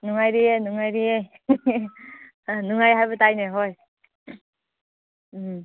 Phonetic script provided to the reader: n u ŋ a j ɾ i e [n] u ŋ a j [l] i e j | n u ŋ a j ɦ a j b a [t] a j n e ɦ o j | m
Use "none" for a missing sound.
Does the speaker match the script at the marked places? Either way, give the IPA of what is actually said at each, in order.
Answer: n, ɾ, t

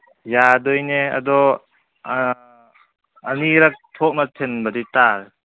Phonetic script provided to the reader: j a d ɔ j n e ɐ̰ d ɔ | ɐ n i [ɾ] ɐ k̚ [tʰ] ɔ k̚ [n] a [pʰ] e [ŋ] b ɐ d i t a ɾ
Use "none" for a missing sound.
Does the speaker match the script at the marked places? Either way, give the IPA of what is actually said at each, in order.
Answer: ɾ, tʰ, n, tʰ, n

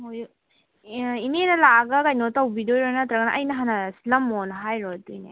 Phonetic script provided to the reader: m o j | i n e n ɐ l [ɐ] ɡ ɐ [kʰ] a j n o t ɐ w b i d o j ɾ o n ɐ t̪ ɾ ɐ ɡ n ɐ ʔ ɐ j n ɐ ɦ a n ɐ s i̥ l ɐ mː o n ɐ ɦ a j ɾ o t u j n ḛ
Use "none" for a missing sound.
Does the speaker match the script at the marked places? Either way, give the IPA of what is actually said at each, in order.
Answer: a, k

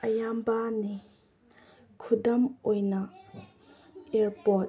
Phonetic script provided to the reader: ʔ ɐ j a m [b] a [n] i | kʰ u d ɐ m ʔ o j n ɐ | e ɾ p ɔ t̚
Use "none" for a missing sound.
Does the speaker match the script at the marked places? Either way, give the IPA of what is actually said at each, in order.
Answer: b, n

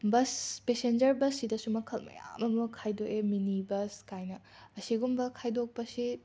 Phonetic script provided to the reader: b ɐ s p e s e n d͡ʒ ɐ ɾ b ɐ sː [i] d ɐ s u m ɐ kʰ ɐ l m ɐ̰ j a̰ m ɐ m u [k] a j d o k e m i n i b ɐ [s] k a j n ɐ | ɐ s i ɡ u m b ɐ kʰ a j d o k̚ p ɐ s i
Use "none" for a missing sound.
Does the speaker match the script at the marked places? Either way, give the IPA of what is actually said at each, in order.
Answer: i, kʰ, s

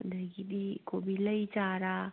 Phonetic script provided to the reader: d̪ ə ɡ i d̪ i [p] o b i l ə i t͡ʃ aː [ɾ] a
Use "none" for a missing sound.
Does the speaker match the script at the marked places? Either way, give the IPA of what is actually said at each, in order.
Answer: k, ɾ

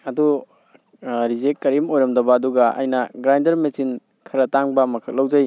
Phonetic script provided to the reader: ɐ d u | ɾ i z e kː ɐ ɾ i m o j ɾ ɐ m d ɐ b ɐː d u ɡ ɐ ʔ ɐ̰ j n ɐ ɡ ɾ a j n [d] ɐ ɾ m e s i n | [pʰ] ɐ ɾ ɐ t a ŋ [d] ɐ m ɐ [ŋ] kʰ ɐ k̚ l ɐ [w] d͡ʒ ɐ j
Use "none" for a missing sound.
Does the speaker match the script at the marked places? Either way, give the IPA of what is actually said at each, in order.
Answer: d, kʰ, b, none, w

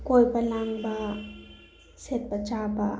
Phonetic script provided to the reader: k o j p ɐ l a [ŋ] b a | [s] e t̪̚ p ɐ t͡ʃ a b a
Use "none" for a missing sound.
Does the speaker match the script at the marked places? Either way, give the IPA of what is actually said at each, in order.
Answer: ŋ, s

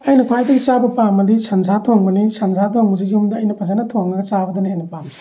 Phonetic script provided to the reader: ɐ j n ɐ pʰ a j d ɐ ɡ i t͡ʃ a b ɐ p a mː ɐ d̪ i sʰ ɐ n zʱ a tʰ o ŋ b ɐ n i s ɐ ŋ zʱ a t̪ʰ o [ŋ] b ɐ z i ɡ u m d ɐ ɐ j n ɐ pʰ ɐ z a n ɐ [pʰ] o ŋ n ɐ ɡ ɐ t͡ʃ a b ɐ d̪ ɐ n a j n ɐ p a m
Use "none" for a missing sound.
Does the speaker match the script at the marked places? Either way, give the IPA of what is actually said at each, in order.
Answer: ŋ, tʰ

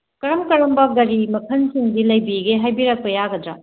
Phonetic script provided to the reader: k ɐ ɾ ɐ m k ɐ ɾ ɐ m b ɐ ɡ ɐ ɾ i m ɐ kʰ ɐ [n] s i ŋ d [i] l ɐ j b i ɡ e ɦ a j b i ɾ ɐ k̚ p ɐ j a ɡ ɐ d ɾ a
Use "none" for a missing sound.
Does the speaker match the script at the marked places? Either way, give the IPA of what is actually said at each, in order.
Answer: n, i

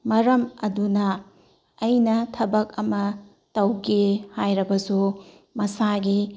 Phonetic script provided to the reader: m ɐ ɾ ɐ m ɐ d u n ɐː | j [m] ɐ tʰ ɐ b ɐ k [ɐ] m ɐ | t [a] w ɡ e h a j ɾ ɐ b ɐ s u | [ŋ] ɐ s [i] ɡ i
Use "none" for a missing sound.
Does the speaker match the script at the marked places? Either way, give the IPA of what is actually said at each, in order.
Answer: n, ɐ, ɐ, m, a

